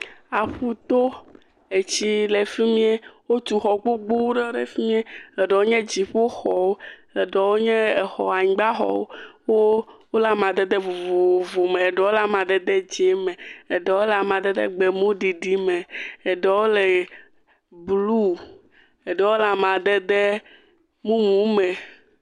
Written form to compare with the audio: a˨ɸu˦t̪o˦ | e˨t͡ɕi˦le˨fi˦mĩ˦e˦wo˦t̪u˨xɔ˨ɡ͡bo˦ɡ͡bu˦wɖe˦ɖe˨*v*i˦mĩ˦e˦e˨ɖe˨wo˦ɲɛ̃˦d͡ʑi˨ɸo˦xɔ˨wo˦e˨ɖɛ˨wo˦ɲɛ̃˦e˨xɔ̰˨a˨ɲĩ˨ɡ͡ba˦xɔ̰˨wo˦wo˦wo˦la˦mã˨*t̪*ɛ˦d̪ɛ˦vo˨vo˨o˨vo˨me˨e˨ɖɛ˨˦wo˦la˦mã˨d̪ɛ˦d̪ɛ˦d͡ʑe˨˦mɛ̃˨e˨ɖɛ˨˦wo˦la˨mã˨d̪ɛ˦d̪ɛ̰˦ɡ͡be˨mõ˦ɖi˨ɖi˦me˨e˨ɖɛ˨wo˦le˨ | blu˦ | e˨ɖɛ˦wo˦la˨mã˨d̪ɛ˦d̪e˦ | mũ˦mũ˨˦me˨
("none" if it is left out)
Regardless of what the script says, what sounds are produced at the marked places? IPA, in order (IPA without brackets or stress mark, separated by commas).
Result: f, d̪